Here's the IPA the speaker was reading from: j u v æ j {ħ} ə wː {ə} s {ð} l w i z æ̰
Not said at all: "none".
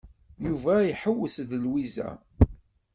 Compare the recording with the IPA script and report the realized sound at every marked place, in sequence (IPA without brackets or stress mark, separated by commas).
ħ, ə, ð